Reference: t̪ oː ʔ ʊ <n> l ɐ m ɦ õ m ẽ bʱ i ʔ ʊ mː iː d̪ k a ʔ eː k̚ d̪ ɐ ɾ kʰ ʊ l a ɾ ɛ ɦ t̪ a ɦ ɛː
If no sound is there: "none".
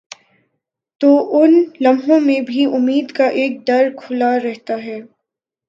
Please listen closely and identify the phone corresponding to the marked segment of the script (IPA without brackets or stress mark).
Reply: n